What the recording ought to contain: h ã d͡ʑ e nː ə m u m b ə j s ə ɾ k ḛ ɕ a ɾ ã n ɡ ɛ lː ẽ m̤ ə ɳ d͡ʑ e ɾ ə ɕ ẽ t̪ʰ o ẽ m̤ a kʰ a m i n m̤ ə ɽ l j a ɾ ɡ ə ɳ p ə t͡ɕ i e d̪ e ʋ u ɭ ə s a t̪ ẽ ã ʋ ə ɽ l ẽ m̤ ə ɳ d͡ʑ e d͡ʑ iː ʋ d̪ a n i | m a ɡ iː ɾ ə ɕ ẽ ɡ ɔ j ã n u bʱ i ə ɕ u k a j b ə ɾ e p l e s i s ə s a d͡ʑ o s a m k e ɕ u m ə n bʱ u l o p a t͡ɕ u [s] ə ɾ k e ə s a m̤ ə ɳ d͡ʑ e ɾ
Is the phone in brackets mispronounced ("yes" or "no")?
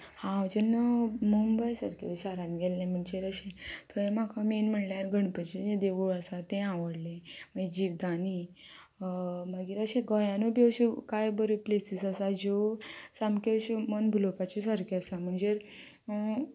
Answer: no